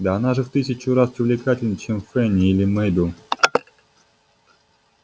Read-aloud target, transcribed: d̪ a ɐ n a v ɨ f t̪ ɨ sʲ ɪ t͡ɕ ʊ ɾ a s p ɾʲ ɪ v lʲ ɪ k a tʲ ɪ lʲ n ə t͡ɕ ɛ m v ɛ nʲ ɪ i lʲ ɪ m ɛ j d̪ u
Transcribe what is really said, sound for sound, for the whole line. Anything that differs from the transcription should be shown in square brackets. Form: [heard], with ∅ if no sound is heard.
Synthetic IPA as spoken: d̪ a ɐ n a [ʐ] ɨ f t̪ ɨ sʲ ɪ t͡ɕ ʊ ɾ a s p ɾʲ ɪ v lʲ ɪ k a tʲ ɪ lʲ n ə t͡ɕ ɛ m [f] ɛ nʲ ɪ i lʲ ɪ m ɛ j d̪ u